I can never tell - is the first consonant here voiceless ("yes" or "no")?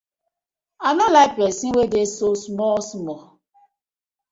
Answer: no